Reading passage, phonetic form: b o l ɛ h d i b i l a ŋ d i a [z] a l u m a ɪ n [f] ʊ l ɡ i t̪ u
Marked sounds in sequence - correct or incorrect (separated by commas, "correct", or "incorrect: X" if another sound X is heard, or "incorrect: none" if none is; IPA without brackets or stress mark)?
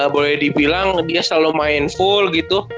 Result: incorrect: s, correct